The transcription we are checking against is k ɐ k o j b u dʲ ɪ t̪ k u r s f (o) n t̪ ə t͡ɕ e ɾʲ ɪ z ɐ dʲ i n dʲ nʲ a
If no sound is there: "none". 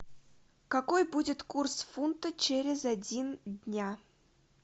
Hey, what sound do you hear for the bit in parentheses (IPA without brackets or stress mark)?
u